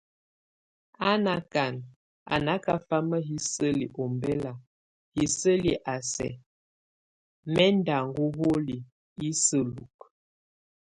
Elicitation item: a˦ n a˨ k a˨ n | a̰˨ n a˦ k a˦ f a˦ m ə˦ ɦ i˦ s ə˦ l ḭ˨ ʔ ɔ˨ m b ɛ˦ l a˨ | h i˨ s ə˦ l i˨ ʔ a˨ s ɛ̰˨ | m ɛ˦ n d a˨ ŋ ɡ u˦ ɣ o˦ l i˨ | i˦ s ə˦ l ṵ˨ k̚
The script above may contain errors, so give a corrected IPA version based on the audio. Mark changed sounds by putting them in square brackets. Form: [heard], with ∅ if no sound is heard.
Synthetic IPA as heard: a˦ n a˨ k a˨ n | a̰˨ n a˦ k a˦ f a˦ m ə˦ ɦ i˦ s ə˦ l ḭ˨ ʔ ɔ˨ m b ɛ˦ l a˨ | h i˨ s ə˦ l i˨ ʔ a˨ s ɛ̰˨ | m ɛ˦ n d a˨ ŋ ɡ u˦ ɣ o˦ l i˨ | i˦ s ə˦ l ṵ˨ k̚

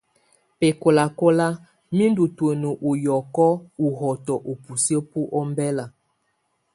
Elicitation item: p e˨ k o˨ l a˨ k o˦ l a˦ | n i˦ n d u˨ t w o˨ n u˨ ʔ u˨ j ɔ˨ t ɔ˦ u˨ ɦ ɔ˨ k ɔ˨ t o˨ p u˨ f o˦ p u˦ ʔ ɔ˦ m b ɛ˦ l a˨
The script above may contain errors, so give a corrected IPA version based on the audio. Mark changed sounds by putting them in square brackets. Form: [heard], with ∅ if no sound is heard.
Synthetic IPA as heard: p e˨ k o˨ l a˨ k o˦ l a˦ | [m] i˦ n d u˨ t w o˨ n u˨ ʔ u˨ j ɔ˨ [k] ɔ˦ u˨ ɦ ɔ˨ [t] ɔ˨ [ʔ] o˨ p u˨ [s] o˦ p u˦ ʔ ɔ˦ m b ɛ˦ l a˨

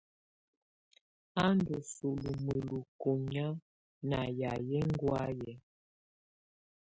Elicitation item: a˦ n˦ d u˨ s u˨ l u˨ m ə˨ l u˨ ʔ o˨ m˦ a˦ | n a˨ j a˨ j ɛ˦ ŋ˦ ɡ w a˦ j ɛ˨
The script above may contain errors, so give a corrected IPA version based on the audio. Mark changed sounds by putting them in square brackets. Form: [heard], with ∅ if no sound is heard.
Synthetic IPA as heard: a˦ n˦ d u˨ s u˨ l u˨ m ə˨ l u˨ [k] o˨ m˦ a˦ | n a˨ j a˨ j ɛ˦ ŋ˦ ɡ w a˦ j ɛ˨

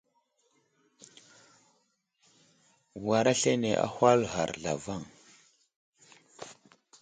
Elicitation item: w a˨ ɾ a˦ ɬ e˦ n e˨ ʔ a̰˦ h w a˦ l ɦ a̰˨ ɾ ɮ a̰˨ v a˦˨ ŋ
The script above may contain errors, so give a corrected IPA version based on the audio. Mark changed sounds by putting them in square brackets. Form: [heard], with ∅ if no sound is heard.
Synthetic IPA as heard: w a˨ ɾ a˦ ɬ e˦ n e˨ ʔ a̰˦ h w a˦ l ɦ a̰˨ ɾ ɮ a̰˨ v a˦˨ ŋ

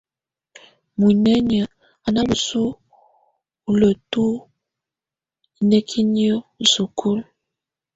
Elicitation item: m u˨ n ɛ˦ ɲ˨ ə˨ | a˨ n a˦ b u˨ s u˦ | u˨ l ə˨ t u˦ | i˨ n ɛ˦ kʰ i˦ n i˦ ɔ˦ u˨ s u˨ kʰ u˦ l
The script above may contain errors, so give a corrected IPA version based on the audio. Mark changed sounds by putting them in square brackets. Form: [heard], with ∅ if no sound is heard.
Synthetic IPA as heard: m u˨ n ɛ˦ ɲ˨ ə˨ | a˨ n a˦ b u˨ s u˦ | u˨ l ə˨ t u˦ | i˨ n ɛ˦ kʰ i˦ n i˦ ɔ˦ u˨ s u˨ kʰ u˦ l

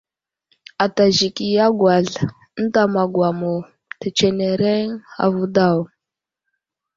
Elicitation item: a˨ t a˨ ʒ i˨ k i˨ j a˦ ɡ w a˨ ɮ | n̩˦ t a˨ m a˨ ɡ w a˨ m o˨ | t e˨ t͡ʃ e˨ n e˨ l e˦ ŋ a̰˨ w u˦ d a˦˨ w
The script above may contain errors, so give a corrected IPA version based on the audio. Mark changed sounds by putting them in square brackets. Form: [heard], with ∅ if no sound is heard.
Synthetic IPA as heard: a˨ t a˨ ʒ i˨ k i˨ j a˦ ɡ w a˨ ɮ | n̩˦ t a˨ m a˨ ɡ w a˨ m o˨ | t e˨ t͡ʃ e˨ n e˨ [ɾ] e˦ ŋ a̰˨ [v] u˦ d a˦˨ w

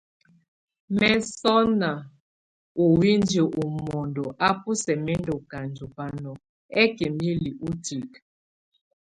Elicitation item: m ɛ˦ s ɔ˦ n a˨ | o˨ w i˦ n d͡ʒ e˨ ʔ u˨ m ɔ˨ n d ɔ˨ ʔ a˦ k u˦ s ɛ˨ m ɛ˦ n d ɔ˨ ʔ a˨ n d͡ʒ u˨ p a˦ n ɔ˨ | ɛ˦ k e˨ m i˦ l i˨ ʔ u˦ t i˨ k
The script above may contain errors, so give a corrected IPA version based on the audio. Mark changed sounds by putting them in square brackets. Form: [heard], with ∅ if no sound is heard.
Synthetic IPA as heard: m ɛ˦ s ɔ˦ n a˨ | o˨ w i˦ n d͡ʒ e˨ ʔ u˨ m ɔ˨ n d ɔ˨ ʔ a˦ [p] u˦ s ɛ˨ m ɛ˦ n d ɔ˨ [k] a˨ n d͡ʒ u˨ p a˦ n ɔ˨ | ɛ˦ k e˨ m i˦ l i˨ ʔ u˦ t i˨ k

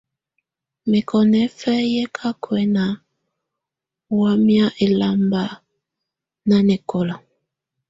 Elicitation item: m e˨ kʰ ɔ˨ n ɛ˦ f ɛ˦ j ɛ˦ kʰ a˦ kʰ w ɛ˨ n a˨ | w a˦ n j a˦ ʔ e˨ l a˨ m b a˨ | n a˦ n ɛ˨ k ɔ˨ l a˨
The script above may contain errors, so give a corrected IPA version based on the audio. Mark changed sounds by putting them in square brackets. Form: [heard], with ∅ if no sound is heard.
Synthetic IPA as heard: m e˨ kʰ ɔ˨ n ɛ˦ f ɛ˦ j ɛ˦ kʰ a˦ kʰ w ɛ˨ n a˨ | w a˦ [m] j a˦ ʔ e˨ l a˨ m b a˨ | n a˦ n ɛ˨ k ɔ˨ l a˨

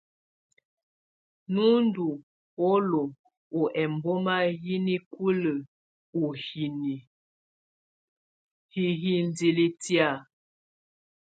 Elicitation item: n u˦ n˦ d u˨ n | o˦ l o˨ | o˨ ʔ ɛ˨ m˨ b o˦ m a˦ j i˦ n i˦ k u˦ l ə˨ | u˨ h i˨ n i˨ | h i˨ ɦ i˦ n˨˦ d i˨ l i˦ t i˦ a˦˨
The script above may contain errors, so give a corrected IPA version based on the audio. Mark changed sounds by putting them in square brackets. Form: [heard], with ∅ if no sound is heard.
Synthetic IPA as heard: n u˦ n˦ d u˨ [∅] | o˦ l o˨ | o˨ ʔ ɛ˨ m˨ b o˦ m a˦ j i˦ n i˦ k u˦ l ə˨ | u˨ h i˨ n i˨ | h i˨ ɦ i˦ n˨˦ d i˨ l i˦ t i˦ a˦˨

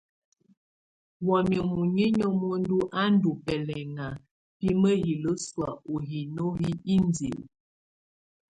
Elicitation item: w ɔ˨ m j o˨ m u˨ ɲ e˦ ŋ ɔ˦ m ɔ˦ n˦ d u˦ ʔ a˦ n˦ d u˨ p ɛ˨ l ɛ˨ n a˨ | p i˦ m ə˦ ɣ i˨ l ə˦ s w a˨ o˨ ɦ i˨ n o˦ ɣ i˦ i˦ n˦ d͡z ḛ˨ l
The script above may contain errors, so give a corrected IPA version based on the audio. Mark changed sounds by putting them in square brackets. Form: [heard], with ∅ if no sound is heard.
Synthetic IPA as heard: w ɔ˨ m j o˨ m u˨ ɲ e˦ [ɲ] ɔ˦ m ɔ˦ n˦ d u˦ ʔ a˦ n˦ d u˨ p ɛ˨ l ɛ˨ [ŋ] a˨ | p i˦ m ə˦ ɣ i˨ l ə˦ s w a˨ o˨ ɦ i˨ n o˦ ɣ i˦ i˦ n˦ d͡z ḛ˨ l

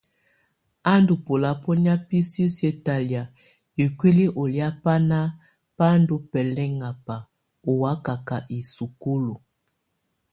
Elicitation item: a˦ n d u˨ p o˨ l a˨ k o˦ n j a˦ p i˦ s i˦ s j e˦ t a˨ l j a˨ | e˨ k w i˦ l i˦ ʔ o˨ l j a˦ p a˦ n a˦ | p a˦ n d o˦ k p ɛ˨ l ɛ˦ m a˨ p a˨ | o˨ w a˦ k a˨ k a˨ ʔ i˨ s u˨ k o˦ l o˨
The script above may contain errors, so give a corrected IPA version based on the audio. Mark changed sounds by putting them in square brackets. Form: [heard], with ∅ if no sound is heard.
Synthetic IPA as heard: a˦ n d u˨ p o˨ l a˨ [p] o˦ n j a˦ p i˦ s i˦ s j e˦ t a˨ l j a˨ | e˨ k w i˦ l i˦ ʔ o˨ l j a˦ p a˦ n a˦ | p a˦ n d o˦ [∅] p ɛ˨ l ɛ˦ [ŋ] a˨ p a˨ | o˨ w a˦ k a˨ k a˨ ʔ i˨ s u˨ k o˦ l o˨

